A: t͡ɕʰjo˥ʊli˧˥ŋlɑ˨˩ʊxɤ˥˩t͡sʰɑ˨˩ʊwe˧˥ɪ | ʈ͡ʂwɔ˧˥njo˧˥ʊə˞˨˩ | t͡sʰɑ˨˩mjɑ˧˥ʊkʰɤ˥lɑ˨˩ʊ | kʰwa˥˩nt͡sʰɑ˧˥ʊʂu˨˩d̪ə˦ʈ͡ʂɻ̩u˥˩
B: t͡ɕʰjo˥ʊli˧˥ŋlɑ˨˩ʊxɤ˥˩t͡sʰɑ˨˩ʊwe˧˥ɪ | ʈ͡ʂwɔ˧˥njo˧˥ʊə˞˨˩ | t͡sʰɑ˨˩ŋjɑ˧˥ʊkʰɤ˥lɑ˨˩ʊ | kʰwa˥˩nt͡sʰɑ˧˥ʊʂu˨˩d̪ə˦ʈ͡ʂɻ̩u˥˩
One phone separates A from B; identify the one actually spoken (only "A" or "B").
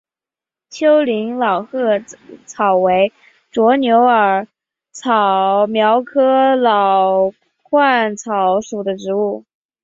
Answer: A